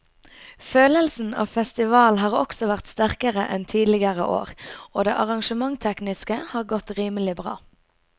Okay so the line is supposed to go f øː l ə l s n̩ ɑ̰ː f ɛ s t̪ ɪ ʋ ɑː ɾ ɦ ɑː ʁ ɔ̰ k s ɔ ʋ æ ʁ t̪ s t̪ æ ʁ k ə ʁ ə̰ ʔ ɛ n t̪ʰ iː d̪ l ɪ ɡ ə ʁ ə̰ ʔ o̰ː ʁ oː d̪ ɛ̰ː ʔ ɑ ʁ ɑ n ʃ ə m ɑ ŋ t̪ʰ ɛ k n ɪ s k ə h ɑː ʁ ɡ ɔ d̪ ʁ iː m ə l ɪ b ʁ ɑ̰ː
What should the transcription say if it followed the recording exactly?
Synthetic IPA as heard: f øː l ə l s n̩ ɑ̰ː f ɛ s t̪ ɪ ʋ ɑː l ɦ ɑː ʁ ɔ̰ k s ɔ ʋ æ ʁ t̪ s t̪ æ ʁ k ə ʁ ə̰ ʔ ɛ n t̪ʰ iː d̪ l ɪ ɡ ə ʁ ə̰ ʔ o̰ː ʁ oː d̪ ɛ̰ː ʔ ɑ ʁ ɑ ŋ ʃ ə m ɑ ŋ t̪ʰ ɛ k n ɪ s k ə h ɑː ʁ ɡ ɔ t̪ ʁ iː m ə l ɪ b ʁ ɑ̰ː